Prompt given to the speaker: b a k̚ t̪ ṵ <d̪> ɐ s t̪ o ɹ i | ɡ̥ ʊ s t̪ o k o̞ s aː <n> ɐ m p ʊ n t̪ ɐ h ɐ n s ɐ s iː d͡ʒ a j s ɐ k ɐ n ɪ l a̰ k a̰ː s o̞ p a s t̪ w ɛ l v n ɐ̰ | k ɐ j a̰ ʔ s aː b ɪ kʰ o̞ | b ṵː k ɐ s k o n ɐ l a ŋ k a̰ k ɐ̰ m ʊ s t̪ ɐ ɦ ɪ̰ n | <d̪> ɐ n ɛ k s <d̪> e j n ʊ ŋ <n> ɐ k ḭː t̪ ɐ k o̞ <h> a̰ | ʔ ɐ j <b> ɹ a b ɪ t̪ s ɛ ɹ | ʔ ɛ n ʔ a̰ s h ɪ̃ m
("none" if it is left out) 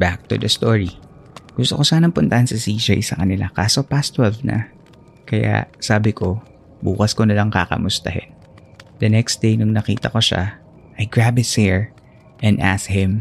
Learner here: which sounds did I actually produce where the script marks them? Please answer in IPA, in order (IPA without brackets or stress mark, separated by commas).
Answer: d̪, n, d̪, d̪, n, ʃ, ɡ